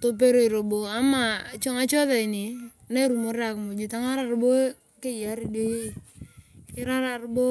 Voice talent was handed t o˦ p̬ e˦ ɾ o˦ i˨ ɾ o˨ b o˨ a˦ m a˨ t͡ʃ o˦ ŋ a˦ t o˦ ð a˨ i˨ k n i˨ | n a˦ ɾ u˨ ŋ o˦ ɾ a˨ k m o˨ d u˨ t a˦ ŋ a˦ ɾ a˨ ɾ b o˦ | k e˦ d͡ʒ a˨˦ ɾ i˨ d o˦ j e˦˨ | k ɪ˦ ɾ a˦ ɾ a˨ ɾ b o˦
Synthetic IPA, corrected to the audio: t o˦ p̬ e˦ ɾ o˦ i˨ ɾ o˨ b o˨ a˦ m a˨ t͡ʃ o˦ ŋ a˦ t͡ʃ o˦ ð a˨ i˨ n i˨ | n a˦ ɾ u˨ m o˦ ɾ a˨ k m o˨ d͡ʒ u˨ t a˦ ŋ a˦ ɾ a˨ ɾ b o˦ | k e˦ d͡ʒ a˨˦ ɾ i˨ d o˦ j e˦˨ | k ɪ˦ ɾ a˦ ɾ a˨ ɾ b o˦